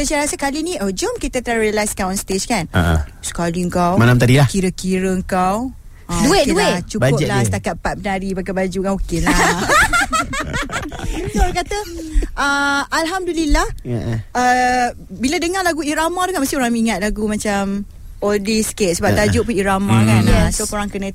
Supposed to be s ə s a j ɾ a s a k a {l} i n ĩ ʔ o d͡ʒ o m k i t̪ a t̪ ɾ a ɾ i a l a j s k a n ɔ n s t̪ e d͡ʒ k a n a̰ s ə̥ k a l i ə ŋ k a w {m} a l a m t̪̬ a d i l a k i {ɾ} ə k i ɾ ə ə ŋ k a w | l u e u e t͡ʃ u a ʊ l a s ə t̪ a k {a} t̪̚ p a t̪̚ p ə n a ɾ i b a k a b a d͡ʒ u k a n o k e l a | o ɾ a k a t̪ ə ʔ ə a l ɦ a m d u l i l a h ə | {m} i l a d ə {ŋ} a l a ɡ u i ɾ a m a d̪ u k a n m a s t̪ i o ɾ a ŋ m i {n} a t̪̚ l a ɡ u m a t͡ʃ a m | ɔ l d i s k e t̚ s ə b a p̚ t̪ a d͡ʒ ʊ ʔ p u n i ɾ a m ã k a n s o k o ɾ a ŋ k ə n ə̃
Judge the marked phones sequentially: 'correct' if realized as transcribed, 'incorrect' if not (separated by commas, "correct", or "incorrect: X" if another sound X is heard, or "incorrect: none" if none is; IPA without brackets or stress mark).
correct, correct, correct, correct, incorrect: b, correct, incorrect: ŋ